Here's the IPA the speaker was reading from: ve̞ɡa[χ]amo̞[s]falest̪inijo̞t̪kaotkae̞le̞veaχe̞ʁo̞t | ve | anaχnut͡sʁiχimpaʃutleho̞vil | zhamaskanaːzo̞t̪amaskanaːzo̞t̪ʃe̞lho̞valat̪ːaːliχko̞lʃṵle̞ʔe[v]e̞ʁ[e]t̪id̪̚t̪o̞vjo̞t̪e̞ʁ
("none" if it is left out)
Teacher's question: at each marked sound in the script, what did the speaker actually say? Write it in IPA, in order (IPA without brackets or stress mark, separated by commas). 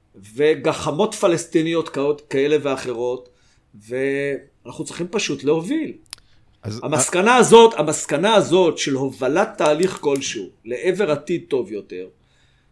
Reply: χ, t, v, a